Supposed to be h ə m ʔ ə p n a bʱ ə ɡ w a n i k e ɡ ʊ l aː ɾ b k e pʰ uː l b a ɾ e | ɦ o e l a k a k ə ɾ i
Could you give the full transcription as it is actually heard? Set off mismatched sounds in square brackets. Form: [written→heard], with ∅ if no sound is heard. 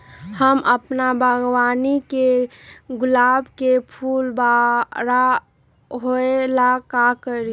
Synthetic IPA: h ə m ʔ ə p n a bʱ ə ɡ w a n i k e ɡ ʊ l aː [ɾ→∅] b k e pʰ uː l b a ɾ [e→a] | ɦ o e l a k a k ə ɾ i